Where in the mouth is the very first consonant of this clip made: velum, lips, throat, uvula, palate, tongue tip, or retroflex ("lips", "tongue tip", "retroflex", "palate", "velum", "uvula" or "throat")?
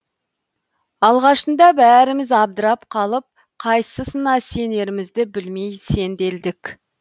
tongue tip